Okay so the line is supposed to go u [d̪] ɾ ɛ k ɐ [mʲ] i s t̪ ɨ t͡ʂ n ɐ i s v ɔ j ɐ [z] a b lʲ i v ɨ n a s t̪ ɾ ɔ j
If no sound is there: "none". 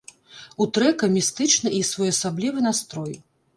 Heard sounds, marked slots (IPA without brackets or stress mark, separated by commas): t̪, mʲ, s